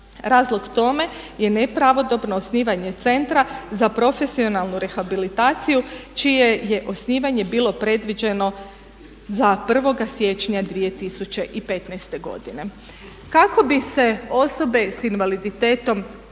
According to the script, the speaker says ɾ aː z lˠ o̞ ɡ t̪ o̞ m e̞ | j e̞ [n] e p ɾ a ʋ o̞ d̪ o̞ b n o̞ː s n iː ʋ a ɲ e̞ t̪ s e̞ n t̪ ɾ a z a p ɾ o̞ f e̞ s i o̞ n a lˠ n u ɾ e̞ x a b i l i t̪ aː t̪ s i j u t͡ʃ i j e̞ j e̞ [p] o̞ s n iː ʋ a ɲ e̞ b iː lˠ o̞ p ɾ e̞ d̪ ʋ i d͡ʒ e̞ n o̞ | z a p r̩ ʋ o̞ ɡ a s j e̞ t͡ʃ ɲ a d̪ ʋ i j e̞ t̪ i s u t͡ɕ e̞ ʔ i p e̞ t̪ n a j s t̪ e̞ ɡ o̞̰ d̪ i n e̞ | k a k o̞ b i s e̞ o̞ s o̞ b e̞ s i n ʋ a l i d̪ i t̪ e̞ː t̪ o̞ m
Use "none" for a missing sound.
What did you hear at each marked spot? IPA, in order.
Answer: n, ʔ

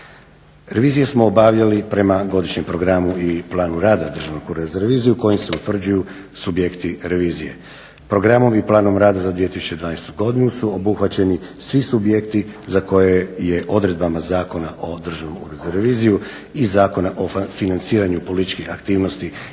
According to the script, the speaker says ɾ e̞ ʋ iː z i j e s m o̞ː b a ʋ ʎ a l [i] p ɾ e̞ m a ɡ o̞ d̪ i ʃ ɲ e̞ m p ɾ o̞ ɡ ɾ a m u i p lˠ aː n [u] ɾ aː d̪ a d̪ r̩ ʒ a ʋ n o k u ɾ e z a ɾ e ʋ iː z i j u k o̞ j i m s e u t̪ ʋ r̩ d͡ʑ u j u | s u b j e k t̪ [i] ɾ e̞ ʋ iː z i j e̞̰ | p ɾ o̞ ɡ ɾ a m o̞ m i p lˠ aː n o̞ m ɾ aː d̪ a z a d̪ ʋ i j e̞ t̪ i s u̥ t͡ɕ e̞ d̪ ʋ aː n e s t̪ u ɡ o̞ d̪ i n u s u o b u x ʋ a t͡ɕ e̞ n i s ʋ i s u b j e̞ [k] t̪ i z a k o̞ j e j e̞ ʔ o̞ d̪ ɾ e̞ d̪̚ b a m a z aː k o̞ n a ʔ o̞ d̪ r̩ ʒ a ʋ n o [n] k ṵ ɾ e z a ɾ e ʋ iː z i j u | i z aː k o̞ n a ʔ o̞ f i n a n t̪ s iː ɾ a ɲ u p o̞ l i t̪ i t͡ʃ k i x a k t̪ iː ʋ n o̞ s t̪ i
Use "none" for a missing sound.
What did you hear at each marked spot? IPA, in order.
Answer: i, u, i, k, m

